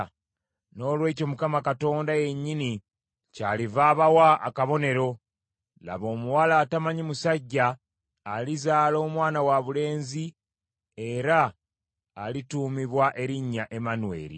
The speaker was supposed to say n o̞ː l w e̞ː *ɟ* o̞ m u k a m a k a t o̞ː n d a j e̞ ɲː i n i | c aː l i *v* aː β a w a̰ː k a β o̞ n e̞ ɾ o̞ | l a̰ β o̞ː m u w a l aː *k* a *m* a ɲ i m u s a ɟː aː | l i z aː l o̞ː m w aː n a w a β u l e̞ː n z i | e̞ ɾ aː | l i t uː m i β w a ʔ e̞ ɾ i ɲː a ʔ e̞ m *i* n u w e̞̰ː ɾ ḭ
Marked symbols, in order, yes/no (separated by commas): no, yes, no, yes, no